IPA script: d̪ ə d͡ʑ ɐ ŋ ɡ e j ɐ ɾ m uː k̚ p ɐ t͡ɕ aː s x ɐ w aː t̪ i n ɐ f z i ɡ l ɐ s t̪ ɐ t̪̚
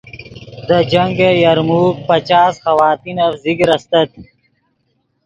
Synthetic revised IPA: d̪ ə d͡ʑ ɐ ŋ ɡ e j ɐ ɾ m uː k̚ p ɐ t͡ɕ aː s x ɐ w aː t̪ i n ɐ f z i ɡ ɾ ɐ s t̪ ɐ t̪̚